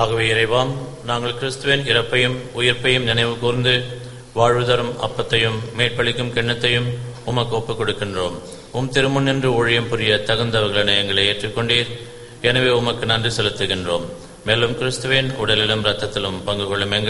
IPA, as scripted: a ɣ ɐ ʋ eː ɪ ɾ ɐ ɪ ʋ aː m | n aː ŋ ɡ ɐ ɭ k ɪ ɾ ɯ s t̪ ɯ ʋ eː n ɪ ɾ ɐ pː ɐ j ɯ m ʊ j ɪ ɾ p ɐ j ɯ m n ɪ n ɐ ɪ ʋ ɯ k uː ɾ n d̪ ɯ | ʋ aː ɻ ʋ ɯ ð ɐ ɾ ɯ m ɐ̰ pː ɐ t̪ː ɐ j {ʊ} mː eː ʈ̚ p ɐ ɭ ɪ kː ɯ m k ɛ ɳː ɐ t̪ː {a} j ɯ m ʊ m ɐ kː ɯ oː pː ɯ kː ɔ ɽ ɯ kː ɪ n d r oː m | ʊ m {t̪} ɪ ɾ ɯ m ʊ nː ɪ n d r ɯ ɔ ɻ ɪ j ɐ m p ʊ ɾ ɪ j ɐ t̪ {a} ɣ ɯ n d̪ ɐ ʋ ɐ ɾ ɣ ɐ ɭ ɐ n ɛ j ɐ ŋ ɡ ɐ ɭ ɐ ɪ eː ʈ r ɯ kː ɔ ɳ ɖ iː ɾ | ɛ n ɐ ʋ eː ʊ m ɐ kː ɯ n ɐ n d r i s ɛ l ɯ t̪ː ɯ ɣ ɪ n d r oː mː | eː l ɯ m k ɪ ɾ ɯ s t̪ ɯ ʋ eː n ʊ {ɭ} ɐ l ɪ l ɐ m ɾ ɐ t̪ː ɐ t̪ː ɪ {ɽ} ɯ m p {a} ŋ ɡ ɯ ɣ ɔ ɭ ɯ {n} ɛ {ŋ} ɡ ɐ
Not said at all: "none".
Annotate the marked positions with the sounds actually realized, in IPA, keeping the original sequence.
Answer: ɯ, ɐ, t̪, ɐ, ɽ, l, ɐ, m, ŋ

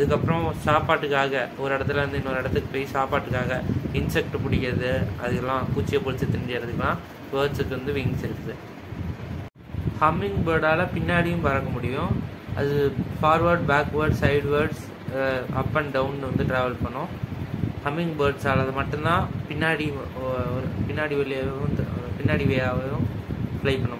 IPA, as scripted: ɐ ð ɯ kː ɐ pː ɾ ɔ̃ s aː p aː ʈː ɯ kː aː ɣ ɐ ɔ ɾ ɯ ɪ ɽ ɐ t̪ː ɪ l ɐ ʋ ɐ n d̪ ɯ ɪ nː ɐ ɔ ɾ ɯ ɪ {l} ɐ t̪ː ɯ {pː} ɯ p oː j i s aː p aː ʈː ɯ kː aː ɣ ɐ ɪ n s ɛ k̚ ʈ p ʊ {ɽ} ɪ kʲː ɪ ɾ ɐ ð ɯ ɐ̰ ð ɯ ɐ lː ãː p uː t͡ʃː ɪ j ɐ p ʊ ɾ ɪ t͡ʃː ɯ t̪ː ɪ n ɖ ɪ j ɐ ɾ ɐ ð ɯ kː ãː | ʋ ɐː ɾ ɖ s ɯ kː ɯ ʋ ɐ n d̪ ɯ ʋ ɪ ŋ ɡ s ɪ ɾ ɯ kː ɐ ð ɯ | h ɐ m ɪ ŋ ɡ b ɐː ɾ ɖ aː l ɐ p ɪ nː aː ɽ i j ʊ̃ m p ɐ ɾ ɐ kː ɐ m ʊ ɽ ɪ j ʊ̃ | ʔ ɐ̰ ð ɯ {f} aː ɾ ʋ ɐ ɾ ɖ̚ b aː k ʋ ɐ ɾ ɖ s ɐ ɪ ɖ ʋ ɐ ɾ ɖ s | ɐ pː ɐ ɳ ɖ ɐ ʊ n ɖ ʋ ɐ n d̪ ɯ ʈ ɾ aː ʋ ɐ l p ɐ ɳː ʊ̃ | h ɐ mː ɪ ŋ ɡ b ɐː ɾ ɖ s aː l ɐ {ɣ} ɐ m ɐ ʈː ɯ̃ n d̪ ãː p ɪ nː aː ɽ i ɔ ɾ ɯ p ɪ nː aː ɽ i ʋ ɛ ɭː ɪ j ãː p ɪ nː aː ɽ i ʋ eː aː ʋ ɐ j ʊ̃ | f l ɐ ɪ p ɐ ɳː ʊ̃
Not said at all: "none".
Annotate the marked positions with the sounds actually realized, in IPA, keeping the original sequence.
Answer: ɽ, kː, ɽ, f, ð

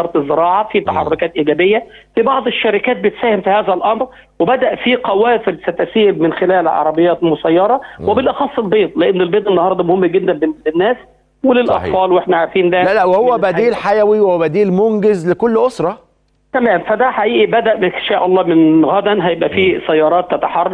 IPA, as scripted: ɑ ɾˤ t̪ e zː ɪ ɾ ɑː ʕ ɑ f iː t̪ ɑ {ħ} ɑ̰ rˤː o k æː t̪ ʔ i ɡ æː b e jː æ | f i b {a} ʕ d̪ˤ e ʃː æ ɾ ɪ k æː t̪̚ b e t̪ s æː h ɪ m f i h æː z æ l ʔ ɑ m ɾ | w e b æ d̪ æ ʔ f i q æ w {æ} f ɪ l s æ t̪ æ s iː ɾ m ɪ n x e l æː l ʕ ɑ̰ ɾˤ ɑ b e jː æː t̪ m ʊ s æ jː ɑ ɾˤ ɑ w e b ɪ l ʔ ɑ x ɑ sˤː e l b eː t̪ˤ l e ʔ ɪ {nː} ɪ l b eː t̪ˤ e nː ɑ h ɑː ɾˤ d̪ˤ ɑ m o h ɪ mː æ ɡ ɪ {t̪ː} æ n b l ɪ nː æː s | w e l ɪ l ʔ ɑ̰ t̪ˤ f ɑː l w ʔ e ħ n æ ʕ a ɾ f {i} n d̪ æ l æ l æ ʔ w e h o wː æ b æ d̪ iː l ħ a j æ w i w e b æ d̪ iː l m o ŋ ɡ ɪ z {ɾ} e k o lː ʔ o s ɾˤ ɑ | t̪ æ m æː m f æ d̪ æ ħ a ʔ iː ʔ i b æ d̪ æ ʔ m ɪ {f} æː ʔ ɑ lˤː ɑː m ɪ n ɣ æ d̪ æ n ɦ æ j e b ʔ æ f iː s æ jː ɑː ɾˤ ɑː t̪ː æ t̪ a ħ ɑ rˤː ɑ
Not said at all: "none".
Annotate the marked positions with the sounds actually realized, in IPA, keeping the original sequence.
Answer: ħ, ɑ, æː, nː, d̪ː, iː, l, ʃ

